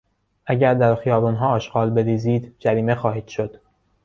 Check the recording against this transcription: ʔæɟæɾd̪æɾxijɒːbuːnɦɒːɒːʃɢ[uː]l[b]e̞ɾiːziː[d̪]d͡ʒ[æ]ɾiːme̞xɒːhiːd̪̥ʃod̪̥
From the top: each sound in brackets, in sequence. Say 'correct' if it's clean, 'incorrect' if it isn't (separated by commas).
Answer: incorrect, correct, correct, correct